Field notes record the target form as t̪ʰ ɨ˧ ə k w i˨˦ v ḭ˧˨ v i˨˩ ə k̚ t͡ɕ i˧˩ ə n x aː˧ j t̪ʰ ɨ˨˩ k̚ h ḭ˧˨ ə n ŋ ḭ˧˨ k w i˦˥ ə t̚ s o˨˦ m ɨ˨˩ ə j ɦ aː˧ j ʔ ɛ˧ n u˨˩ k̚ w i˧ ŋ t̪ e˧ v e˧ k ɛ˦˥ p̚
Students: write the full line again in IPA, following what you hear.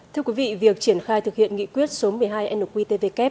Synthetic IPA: t̪ʰ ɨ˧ ə k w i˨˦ v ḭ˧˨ v i˨˩ ə k̚ t͡ɕ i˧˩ ə n x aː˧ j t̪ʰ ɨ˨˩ k̚ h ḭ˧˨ ə n ŋ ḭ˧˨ k w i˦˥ ə t̚ s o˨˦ m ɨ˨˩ ə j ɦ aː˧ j ʔ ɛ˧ n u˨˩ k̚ w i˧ t̪ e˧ v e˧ k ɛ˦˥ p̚

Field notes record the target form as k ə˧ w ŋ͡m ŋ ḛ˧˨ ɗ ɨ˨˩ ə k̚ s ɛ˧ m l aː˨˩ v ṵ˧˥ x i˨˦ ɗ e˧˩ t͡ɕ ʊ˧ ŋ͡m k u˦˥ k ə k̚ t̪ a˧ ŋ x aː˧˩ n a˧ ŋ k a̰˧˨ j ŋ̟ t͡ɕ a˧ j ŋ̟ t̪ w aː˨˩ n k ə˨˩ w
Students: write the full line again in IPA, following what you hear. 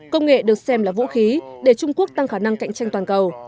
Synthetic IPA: k ə˧ w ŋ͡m ŋ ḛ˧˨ ɗ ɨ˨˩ ə k̚ s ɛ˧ m l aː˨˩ v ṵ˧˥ x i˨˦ ɗ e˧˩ t͡ɕ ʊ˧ ŋ͡m k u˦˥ ə k̚ t̪ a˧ ŋ x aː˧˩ n a˧ ŋ k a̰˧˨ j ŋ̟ t͡ɕ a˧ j ŋ̟ t̪ w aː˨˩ n k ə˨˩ w

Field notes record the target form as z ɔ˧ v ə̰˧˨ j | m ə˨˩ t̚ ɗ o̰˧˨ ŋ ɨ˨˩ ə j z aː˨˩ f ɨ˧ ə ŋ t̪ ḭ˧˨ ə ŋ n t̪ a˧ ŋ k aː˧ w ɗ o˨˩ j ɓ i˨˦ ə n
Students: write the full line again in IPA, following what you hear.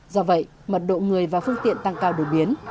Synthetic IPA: z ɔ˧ v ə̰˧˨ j | m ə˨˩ t̚ ɗ o̰˧˨ ŋ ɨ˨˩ ə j v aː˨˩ f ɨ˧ ə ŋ t̪ ḭ˧˨ ə n t̪ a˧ ŋ k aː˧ w ɗ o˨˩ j ɓ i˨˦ ə n

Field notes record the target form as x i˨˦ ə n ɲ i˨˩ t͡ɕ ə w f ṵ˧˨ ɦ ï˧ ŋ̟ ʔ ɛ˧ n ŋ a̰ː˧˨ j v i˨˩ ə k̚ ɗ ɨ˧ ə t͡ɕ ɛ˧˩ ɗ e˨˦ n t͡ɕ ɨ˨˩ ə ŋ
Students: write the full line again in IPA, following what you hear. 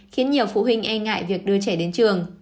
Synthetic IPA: x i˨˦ ə n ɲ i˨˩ ə w f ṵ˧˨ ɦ ï˧ ŋ̟ ʔ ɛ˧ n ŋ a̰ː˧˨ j v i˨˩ ə k̚ ɗ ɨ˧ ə t͡ɕ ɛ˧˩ ɗ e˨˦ n t͡ɕ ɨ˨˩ ə ŋ

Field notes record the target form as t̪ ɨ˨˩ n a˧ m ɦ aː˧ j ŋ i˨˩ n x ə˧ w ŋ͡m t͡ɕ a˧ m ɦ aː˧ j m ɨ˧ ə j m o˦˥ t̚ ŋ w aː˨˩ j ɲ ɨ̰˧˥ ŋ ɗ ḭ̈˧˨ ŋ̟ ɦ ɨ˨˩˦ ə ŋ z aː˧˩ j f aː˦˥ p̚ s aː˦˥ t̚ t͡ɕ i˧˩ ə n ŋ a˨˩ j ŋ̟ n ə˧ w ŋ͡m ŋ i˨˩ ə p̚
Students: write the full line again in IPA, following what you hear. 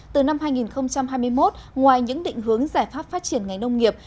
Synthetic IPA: t̪ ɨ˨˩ n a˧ m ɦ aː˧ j ŋ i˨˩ n x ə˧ w ŋ͡m t͡ɕ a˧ m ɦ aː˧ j m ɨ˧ ə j m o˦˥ t̚ ŋ w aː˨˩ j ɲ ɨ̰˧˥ ŋ ɗ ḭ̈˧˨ ŋ̟ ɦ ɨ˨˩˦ ə ŋ z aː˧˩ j f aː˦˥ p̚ f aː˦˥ t̚ t͡ɕ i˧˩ ə n ŋ a˨˩ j ŋ̟ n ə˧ w ŋ͡m ŋ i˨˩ ə p̚

